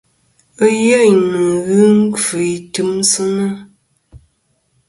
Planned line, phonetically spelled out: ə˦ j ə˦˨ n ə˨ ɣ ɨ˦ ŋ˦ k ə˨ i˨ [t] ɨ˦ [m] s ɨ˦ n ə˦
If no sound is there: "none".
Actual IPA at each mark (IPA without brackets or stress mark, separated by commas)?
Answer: t, m